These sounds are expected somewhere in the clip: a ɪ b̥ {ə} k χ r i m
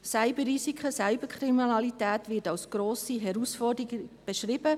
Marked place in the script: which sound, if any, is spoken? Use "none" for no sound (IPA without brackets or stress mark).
ə